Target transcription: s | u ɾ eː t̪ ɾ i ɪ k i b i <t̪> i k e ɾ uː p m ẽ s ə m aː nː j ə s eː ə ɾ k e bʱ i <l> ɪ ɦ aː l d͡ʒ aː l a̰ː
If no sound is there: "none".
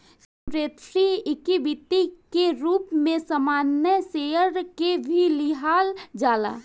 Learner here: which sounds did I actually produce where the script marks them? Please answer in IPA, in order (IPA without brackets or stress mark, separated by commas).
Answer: t̪, l